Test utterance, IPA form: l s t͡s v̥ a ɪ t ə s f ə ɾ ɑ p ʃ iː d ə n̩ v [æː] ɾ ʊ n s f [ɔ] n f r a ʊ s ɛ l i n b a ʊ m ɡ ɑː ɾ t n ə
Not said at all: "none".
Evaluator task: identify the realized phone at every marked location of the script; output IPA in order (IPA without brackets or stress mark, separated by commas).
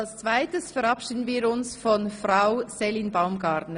iː, ɔ